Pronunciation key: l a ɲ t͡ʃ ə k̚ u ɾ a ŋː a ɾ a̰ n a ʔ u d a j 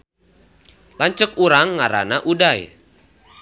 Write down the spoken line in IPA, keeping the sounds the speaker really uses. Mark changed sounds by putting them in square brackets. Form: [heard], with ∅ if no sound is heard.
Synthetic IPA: l a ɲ t͡ʃ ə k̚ u ɾ a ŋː a ɾ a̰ n a ʔ u d a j